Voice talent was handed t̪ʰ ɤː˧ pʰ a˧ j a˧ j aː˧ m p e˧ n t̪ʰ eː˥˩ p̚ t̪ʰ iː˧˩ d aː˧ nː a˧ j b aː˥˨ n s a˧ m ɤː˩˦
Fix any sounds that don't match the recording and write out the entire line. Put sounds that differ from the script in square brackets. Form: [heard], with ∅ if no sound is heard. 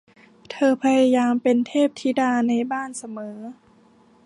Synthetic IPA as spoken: t̪ʰ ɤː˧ pʰ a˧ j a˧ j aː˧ m p e˧ n t̪ʰ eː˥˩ p̚ t̪ʰ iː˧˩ d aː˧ [n] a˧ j b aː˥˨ n s a˧ m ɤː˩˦